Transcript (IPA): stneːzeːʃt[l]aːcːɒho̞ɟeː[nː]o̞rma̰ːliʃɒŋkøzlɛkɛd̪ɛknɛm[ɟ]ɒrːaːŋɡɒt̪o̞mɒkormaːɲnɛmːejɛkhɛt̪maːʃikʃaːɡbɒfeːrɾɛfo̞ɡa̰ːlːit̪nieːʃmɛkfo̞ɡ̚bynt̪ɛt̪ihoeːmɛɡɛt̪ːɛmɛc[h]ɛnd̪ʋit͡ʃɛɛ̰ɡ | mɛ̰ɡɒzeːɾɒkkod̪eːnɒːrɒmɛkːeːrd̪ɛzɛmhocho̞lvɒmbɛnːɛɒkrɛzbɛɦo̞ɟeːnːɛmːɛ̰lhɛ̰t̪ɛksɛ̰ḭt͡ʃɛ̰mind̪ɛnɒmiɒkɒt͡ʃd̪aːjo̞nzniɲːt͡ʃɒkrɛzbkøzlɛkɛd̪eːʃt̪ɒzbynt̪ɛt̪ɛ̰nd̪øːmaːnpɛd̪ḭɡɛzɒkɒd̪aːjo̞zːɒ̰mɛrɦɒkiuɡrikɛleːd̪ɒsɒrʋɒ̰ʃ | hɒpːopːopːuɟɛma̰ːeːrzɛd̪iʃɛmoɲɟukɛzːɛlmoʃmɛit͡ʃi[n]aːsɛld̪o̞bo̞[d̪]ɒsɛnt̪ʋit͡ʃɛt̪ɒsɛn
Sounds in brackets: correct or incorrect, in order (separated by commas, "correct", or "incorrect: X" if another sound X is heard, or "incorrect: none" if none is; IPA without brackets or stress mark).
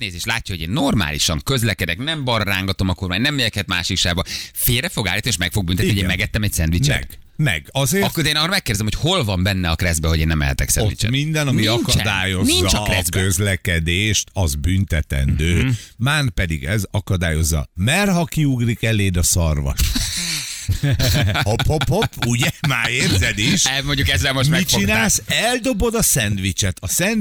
correct, correct, incorrect: b, incorrect: s, correct, correct